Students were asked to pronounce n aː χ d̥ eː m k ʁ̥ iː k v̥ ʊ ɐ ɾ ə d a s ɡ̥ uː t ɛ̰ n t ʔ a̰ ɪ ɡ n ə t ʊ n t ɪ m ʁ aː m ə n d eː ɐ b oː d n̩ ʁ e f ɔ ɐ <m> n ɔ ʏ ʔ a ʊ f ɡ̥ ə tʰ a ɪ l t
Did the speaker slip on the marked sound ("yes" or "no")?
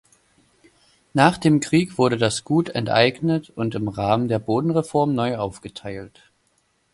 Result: no